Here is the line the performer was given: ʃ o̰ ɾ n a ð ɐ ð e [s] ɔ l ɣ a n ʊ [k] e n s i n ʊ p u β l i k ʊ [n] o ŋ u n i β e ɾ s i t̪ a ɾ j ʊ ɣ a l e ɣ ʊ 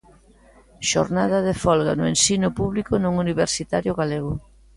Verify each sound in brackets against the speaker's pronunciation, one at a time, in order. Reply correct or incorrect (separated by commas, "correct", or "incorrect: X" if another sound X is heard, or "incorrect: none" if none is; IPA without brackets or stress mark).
incorrect: f, incorrect: none, correct